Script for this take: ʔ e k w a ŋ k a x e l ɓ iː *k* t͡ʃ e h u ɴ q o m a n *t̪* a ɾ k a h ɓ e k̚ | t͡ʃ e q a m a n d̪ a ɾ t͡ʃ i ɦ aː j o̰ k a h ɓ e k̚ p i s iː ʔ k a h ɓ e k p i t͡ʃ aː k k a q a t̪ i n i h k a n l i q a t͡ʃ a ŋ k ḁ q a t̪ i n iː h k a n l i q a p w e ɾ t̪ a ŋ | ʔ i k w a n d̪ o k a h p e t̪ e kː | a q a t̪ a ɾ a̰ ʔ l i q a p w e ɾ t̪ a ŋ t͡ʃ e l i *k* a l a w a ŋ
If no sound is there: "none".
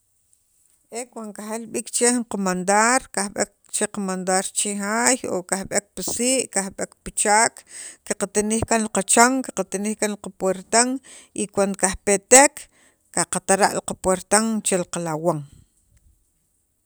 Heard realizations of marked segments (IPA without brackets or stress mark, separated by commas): k, d̪, q